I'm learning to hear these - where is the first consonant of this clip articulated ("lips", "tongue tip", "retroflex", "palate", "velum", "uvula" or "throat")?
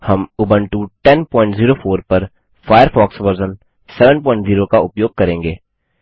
throat